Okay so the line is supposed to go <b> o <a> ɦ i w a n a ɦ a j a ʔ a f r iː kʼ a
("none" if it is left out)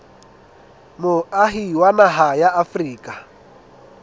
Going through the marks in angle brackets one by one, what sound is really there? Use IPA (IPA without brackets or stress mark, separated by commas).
m, a